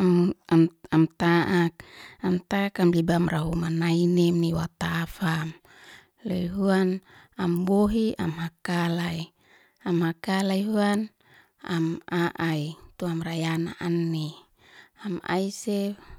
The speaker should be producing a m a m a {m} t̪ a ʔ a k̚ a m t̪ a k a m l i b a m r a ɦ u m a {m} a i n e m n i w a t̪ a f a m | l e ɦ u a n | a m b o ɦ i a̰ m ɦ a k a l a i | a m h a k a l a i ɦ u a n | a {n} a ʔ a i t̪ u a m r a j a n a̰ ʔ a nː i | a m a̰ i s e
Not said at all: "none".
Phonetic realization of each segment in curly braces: m, n, m

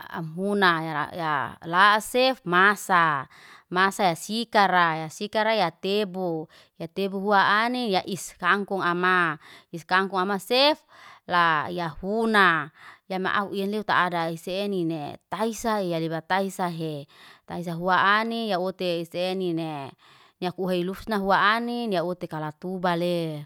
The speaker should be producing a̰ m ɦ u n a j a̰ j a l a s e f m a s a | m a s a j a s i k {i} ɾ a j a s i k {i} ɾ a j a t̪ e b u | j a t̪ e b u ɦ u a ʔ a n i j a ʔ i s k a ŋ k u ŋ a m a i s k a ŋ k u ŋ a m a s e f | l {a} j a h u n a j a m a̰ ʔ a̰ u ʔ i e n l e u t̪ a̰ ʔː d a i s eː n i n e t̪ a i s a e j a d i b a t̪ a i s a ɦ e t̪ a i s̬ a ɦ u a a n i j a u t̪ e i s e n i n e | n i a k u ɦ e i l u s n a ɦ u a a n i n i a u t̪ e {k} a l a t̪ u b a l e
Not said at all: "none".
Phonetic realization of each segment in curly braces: a, a, a, k

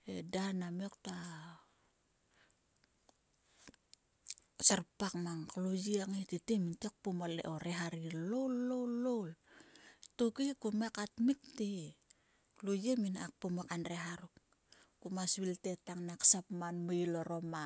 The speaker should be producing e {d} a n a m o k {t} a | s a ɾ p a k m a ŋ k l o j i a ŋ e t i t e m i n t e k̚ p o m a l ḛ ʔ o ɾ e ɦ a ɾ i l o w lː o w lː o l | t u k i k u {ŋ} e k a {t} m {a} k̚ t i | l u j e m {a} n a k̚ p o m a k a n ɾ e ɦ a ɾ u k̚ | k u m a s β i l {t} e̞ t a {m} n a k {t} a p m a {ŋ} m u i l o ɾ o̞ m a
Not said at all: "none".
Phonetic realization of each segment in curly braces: d, t, m, t, i, i, t, ŋ, s, n

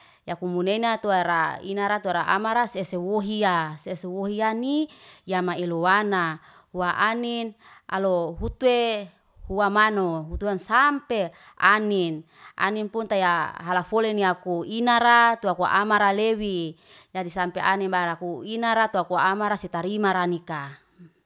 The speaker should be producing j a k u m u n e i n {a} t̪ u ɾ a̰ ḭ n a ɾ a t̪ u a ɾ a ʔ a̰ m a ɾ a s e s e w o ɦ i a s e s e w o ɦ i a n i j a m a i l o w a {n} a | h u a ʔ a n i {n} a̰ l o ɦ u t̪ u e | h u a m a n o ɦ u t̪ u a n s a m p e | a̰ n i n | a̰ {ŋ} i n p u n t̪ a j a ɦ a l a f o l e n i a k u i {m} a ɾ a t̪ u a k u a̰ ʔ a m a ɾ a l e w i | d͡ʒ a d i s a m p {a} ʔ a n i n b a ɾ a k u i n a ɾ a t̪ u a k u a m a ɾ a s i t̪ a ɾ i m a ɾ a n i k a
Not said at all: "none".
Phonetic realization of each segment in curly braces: a, n, n, n, n, e

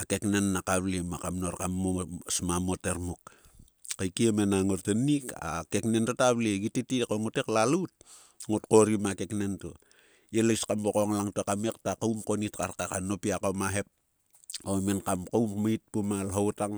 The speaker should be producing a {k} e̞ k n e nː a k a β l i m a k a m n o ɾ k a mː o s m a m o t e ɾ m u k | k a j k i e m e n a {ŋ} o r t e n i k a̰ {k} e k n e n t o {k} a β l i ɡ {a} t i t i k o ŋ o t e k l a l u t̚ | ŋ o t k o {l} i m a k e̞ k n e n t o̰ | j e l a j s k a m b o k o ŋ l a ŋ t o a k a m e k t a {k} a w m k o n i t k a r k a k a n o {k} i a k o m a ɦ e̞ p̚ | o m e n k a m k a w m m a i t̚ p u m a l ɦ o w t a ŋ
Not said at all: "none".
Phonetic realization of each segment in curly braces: k, ŋ, k, t, i, ɾ, k, p

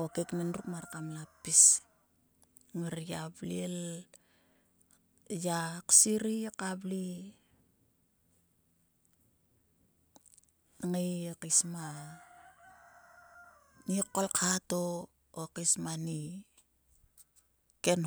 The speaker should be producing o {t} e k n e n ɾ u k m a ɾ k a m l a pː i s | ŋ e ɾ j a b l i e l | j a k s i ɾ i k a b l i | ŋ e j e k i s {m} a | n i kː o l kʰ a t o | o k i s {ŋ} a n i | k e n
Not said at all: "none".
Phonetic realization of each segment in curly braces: k, m, m

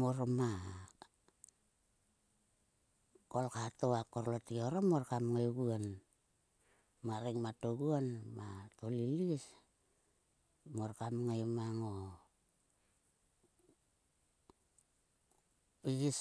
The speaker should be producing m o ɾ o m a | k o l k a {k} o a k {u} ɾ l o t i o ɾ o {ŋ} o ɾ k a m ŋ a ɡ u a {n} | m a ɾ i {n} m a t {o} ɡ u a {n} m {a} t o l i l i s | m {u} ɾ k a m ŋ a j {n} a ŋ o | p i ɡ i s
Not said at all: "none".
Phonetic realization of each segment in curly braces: t, o, m, n, ŋ, o, n, a, o, m

